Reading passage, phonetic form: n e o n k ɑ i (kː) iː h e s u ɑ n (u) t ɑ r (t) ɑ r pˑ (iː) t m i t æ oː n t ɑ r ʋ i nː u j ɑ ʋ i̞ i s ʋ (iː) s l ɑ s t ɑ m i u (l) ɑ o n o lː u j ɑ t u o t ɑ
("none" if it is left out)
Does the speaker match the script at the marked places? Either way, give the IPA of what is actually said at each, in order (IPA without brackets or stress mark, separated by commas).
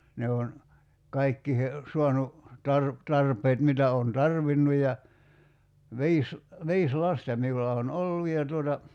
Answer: kː, u, t, eː, iː, lː